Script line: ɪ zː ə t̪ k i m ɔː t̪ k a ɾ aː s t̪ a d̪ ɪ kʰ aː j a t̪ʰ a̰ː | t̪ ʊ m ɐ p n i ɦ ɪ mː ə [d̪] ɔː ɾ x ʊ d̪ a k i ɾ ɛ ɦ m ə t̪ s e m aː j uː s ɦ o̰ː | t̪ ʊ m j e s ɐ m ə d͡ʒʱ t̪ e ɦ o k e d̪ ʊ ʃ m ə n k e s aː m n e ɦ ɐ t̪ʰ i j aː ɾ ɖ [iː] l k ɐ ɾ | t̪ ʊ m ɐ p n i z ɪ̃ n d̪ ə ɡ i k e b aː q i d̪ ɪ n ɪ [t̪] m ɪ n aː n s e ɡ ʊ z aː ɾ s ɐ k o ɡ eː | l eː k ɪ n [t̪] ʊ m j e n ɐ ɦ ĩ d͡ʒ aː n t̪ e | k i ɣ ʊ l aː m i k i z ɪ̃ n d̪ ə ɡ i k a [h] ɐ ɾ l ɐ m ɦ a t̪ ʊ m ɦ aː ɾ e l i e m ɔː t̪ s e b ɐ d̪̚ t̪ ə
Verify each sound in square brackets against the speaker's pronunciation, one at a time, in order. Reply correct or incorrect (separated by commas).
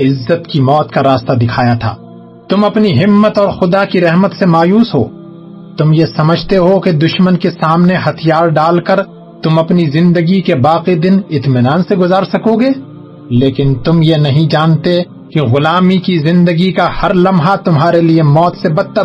incorrect, incorrect, correct, correct, correct